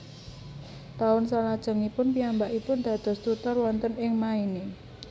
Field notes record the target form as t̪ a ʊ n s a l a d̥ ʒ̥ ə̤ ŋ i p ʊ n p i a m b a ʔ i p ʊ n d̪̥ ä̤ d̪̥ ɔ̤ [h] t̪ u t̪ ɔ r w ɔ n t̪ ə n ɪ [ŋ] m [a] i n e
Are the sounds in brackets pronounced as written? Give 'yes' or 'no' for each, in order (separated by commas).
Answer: no, yes, yes